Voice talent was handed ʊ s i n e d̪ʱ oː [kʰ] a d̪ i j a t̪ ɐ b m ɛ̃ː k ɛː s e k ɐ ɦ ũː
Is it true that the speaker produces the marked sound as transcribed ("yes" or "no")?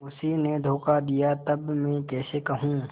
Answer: no